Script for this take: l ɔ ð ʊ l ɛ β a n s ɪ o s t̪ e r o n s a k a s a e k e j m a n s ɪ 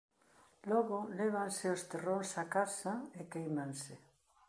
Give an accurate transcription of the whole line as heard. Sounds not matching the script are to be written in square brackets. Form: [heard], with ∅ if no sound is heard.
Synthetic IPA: l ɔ [ɣ] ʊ l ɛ β a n s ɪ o s t̪ e r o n s a k a s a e k e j m a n s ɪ